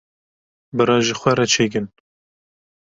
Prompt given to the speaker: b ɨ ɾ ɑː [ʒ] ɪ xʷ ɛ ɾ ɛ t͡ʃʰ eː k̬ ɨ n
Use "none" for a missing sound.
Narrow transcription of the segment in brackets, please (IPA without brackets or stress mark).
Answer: ʒ